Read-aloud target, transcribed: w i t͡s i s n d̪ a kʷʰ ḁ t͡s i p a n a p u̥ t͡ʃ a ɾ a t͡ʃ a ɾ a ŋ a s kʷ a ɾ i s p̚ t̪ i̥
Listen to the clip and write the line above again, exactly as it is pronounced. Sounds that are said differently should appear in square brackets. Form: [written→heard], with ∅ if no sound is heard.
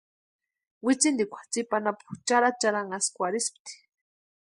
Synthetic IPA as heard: w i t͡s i [s→∅] n d̪ [a→i] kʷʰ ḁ t͡s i p a n a p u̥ t͡ʃ a ɾ a t͡ʃ a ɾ a ŋ a s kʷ a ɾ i s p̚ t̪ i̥